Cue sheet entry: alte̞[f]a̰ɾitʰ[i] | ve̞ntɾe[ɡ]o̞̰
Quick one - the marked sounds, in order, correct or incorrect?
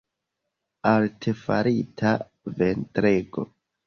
correct, incorrect, correct

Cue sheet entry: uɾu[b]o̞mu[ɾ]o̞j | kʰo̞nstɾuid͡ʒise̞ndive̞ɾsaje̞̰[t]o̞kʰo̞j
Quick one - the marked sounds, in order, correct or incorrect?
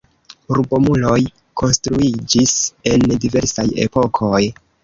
correct, incorrect, incorrect

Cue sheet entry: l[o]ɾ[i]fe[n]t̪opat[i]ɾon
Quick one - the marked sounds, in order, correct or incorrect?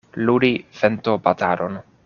incorrect, correct, correct, incorrect

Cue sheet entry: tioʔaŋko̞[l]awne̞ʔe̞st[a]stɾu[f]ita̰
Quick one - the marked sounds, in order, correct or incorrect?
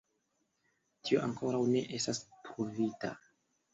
incorrect, correct, incorrect

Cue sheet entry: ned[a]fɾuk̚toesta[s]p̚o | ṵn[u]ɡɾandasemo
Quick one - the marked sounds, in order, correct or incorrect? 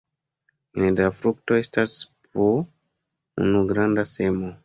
correct, correct, correct

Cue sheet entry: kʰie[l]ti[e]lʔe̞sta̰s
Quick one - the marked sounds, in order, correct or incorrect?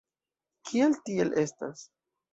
correct, correct

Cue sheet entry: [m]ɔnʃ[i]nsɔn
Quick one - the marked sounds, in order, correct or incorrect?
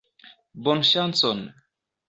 incorrect, incorrect

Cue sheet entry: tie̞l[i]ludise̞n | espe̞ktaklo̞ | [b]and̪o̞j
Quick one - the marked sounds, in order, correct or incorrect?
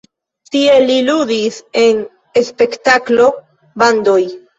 correct, correct

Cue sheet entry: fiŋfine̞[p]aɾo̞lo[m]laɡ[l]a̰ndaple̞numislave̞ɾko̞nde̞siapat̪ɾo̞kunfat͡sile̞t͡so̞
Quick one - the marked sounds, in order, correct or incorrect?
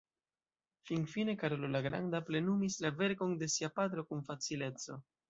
incorrect, incorrect, incorrect

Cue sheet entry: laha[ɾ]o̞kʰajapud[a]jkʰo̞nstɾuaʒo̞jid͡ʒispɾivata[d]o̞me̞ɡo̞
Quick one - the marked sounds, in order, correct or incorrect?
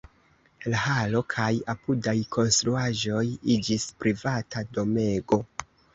incorrect, correct, correct

